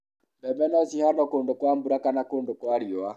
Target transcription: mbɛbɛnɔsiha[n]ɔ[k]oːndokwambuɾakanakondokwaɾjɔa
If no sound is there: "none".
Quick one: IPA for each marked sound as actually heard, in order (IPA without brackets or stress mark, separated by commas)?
n, k